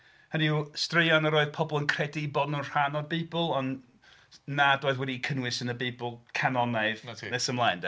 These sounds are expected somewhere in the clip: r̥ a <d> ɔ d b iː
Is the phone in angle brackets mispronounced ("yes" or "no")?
yes